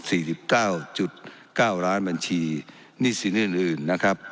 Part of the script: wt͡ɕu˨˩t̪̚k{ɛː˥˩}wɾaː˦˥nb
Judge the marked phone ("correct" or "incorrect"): incorrect